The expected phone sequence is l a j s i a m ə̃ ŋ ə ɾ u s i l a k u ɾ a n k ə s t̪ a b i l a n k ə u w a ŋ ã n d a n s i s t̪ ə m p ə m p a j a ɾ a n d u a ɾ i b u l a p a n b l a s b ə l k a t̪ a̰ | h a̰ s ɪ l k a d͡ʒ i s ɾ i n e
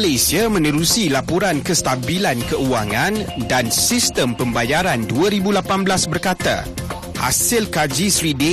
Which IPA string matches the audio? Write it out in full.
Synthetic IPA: l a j s i a m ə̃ n ə ɾ u s i l a p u ɾ a n k ə s t̪ a b i l a n k ə u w a ŋ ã n d a n s i s t̪ ə m p ə m b a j a ɾ a n d u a ɾ i b u l a p a n b l a s b ə r k a t̪ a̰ | h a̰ s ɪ l k a d͡ʒ i s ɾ i d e